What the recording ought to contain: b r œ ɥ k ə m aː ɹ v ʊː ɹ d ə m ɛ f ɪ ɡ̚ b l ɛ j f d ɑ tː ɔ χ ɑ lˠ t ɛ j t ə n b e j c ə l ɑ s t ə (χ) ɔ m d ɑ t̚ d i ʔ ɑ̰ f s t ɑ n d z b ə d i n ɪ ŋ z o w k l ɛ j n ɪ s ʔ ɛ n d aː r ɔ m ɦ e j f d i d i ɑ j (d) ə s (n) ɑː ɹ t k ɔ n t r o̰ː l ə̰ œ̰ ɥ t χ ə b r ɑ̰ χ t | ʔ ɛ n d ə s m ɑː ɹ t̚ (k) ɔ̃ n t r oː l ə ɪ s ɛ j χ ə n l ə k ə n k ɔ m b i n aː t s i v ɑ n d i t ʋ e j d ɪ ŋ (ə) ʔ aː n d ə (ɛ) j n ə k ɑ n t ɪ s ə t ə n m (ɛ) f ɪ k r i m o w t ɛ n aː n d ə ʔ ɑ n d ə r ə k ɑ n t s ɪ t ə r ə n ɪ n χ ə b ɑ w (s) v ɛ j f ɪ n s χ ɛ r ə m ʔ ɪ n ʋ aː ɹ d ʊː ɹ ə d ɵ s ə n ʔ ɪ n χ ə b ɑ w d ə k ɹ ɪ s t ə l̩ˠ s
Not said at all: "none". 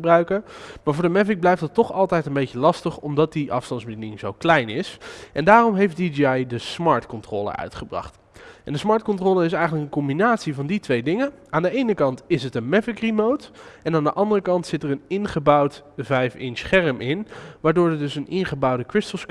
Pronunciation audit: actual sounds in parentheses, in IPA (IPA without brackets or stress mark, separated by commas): χ, d, m, k, ə, e, ɛ, t